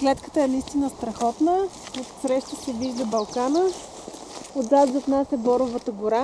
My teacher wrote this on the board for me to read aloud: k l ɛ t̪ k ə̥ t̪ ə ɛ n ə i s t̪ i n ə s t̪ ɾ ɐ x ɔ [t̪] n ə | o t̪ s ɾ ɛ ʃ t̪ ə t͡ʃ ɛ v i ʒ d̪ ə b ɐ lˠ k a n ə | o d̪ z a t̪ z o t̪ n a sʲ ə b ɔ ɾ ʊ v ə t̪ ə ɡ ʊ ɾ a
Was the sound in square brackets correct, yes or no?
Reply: yes